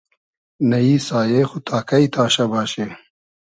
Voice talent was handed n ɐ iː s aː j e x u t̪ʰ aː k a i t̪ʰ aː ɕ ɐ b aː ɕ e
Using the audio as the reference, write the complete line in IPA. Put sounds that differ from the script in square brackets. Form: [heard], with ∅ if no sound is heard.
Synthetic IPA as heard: n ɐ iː s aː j e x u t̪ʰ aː k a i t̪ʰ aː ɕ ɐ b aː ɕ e